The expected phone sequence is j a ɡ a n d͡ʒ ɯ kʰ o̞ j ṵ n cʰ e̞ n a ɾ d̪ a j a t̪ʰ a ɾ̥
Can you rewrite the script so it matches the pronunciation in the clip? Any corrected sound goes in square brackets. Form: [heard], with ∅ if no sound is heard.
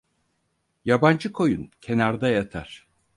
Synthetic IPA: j a [b] a n d͡ʒ ɯ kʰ o̞ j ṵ n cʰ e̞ n a ɾ d̪ a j a t̪ʰ a ɾ̥